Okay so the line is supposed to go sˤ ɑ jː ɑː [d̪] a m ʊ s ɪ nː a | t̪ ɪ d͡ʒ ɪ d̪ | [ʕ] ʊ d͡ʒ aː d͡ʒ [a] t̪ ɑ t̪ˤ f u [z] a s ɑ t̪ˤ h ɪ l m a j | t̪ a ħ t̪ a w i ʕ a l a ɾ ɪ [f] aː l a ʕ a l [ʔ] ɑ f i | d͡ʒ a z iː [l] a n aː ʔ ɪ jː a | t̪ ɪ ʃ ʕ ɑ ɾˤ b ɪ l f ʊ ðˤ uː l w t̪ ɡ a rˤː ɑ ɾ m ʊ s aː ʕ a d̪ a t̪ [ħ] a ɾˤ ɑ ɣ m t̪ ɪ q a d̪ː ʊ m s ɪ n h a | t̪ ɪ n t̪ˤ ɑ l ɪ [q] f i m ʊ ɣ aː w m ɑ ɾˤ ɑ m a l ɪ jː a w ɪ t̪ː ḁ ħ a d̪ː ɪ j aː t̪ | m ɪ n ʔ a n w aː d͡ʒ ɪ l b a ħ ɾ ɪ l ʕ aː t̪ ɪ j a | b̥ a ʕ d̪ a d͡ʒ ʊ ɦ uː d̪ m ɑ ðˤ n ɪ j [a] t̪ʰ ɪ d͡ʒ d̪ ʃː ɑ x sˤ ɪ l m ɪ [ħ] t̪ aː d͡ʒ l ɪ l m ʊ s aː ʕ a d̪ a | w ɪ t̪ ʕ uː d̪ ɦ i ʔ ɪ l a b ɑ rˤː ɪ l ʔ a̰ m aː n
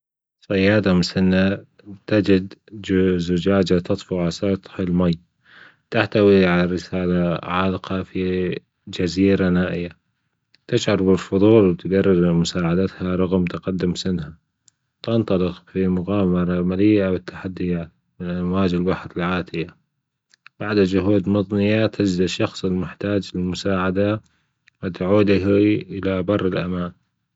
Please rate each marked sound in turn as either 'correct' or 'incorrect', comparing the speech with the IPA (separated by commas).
correct, incorrect, correct, incorrect, incorrect, incorrect, incorrect, incorrect, correct, correct, correct